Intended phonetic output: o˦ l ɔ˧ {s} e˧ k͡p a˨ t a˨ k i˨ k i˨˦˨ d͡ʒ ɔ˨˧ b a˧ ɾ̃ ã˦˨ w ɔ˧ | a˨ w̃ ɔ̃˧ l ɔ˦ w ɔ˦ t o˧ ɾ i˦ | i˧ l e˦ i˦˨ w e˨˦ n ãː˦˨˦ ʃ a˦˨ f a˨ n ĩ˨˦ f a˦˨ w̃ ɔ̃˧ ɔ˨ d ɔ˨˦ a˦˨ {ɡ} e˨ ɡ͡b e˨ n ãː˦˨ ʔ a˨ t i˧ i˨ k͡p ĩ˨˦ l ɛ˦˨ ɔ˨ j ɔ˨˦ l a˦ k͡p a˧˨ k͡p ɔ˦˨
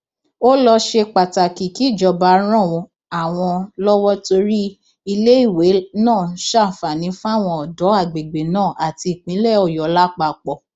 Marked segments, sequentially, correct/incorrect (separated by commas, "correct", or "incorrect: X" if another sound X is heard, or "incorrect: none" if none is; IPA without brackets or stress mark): incorrect: ʃ, incorrect: ɡ͡b